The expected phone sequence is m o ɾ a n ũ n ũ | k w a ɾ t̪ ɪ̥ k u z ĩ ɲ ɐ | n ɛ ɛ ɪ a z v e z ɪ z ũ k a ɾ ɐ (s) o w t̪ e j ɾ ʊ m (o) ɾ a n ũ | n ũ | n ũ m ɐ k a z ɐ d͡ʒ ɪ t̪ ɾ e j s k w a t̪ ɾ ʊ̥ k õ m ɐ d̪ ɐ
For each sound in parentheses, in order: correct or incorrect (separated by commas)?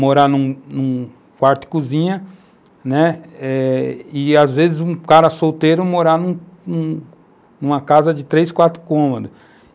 correct, correct